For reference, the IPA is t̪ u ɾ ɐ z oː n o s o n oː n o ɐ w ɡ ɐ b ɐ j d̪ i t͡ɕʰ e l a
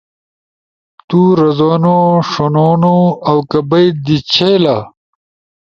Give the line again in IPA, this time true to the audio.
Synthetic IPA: t̪ u ɾ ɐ z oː n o ʂ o n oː n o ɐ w k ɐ b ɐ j d̪ i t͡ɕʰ e l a